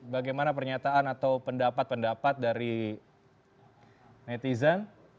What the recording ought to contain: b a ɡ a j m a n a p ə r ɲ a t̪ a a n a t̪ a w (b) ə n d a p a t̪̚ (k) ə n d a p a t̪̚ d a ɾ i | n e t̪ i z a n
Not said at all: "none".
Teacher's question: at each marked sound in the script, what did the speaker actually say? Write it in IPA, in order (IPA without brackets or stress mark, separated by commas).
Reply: p, p